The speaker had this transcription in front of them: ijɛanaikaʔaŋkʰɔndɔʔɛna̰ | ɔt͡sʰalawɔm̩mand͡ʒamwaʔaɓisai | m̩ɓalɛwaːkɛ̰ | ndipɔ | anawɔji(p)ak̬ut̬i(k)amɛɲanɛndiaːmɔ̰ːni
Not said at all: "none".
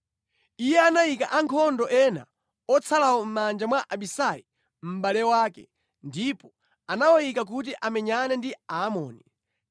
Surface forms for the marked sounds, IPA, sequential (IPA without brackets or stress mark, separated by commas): k, ʔ